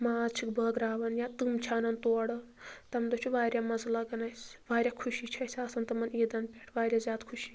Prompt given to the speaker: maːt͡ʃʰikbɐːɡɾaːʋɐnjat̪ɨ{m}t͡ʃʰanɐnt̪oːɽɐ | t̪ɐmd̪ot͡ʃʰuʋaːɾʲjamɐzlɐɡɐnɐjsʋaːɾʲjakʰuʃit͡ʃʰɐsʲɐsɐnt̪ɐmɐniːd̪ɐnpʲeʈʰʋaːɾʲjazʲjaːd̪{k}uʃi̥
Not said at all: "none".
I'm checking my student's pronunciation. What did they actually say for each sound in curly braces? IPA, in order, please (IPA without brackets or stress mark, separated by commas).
m, kʰ